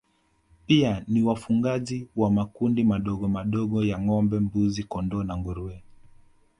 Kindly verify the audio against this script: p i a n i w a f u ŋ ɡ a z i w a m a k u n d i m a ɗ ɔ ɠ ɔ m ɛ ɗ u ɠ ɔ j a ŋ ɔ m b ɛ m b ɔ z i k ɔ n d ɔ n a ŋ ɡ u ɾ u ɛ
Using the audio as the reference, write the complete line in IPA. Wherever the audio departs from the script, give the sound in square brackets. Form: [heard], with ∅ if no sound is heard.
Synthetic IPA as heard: p i a n i w a f u ŋ ɡ a z i w a m a k u n d i m a ɗ ɔ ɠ ɔ m [a] ɗ [ɔ] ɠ ɔ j a ŋ ɔ m b ɛ m b [u] z i k ɔ n d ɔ n a ŋ ɡ u ɾ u ɛ